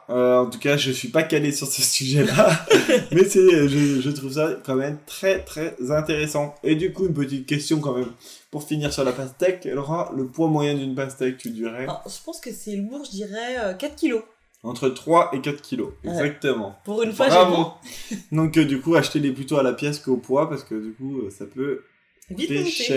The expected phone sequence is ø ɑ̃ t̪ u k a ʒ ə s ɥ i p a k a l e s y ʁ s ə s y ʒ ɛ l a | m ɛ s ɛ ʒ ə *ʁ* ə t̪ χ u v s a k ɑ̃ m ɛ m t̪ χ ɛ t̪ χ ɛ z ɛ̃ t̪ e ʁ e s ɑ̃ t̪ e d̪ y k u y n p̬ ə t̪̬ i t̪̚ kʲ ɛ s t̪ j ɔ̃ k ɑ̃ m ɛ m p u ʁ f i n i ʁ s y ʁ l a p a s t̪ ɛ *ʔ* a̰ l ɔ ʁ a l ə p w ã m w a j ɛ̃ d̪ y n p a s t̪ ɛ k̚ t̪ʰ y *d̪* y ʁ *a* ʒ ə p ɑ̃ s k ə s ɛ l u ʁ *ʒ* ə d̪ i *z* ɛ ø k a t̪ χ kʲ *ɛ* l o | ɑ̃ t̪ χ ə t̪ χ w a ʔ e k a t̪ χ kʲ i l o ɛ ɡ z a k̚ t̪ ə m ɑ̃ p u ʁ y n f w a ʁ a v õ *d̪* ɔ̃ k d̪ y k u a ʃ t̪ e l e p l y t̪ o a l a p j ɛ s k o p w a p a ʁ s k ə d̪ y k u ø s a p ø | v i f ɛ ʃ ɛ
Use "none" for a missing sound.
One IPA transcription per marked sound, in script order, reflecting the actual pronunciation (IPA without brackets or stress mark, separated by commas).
ʒ, k, d̪, ɛ, ʒ, ʁ, i, d̪